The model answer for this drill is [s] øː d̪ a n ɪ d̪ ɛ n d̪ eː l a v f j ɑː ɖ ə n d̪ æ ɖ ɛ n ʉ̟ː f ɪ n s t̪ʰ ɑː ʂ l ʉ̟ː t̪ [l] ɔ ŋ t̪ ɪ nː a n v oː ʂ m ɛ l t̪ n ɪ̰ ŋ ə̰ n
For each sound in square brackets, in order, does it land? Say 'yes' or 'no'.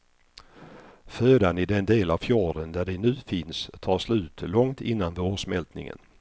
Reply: no, yes

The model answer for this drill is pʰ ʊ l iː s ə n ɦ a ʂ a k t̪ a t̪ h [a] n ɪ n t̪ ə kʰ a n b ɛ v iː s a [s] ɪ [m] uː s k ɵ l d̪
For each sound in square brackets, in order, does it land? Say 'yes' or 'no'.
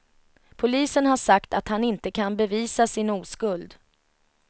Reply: yes, yes, no

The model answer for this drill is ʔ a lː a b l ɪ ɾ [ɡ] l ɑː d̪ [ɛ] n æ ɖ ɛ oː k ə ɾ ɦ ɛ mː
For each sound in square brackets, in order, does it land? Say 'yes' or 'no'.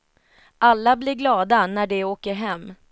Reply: yes, no

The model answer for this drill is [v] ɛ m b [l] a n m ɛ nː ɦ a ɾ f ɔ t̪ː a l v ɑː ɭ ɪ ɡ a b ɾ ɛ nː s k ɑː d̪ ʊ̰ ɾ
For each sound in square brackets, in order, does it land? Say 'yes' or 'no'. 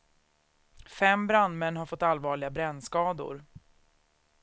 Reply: no, no

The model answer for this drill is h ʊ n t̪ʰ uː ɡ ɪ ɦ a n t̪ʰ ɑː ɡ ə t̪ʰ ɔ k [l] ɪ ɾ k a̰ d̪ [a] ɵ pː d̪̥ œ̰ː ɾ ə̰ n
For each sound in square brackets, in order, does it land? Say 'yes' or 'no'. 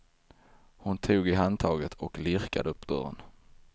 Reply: yes, no

